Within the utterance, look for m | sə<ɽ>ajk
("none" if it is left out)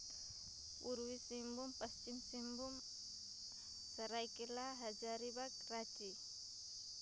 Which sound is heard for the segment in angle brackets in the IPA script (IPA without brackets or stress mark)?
ɾ